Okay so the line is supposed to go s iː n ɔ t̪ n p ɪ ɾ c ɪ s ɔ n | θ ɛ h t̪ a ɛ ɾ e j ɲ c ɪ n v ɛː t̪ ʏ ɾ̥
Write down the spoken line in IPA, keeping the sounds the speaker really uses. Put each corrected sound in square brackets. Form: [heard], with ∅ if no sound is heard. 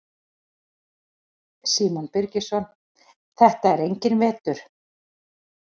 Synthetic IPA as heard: s iː [m] ɔ [∅] n p ɪ ɾ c ɪ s ɔ n | θ ɛ h t̪ a ɛ ɾ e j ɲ c ɪ n v ɛː t̪ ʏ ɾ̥